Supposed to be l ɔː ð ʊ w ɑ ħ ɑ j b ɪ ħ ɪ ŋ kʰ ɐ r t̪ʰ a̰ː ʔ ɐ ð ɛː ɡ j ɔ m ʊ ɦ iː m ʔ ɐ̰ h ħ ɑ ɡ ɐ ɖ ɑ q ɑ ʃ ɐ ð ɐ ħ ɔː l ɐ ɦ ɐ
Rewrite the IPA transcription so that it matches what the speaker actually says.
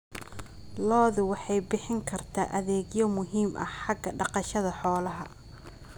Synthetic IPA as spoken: l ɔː ð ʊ w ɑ ħ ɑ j b ɪ ħ ɪ ŋ kʰ ɐ r t̪ʰ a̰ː ʔ ɐ ð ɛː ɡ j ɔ m ʊ ɦ iː m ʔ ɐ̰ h ħ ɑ ɡ ɐ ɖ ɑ q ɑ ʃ ɐ ð ɐ ħ ɔː l ɐ ɦ ɐ